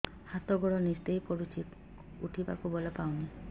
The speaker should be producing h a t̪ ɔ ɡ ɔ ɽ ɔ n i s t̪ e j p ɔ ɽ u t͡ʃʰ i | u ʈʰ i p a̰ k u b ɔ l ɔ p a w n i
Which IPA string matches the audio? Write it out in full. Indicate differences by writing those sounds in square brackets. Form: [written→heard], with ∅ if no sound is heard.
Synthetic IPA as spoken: h a t̪ ɔ ɡ ɔ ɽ ɔ n i s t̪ e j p ɔ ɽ u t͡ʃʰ i | u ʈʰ i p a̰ k u b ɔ l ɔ p a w n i